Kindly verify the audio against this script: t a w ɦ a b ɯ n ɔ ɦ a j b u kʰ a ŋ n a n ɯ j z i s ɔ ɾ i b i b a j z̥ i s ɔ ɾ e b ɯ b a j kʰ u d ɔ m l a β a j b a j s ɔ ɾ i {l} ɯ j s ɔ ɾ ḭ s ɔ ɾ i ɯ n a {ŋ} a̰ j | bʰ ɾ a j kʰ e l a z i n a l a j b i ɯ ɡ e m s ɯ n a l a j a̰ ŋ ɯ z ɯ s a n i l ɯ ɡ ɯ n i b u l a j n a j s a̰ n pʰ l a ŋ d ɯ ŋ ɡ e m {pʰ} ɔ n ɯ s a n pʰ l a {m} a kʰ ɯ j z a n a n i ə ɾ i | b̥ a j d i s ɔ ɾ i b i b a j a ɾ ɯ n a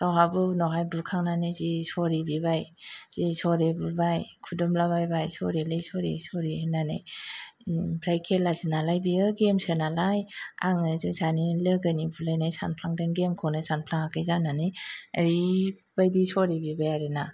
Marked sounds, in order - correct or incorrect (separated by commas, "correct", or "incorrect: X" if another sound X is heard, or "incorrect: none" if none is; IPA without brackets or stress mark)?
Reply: correct, incorrect: n, incorrect: kʰ, incorrect: ŋ